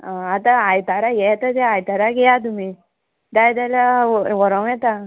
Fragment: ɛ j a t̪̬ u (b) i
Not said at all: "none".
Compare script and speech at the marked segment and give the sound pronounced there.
m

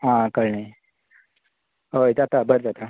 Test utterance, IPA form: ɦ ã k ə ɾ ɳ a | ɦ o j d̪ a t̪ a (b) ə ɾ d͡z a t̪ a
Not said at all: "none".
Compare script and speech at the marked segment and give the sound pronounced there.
b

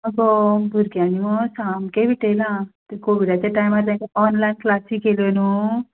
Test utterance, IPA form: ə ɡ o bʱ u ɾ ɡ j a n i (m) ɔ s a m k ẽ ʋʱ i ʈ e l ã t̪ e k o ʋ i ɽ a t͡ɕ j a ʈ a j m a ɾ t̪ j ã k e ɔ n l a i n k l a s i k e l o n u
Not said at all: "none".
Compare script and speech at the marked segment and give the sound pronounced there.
m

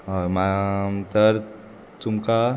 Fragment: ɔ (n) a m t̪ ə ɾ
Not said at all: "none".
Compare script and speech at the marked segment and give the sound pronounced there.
m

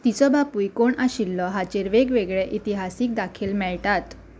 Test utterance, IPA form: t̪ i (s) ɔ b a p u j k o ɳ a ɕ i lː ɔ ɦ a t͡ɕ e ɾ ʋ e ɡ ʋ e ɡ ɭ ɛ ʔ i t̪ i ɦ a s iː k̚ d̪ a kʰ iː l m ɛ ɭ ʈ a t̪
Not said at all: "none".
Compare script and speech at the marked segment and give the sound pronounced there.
t͡s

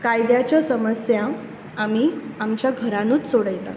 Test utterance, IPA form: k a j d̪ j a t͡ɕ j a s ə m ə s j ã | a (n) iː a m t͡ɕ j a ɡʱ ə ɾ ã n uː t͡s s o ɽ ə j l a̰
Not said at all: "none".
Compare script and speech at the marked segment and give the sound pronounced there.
m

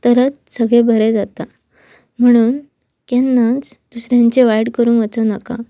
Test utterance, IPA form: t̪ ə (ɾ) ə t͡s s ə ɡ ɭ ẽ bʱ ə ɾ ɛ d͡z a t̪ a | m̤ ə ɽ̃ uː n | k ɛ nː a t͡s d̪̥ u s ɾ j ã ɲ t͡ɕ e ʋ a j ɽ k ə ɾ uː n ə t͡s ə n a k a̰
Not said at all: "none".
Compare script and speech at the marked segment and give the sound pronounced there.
ɾ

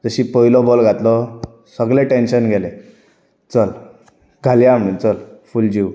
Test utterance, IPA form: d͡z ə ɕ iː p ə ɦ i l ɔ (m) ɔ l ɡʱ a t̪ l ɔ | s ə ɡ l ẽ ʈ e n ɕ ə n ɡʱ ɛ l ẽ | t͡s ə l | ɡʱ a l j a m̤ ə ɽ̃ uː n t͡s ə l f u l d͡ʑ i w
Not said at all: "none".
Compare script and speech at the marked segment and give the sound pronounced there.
b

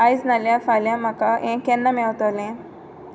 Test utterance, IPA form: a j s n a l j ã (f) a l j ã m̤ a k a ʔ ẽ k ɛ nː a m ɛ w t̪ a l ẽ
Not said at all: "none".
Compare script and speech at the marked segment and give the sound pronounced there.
f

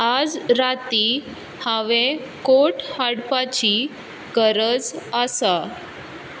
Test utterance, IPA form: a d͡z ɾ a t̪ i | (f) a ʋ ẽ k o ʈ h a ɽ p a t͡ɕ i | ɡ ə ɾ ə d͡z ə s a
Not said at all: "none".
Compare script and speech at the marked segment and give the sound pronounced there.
h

